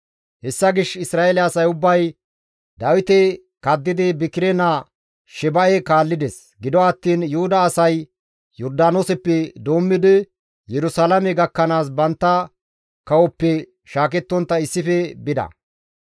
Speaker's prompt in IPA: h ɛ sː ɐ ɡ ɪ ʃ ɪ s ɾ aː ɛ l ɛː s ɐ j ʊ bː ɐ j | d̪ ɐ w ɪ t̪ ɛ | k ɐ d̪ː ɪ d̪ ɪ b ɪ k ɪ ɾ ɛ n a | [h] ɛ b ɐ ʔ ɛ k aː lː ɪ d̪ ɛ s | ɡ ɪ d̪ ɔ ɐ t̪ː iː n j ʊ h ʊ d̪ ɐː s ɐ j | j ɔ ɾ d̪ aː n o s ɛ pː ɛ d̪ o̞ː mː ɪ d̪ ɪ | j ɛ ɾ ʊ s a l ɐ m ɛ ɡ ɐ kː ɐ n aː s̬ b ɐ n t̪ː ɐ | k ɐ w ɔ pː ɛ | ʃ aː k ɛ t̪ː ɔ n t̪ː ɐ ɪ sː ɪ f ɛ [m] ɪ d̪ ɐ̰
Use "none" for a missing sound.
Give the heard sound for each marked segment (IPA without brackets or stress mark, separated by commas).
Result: ʃ, b